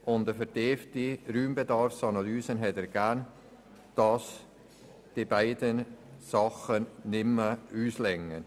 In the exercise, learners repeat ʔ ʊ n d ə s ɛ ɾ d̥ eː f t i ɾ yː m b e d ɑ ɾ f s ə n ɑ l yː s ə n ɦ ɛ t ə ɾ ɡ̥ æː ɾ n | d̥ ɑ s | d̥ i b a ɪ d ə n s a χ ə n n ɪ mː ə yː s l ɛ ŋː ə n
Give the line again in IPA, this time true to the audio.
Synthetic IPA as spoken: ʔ ʊ n d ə f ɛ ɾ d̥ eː f t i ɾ yː m b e d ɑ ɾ f s ɑ n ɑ l yː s ə n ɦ ɛ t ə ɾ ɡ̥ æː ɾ n | d̥ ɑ s | d̥ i b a ɪ d ə n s ɑ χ ə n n ɪ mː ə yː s l ɛ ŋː ə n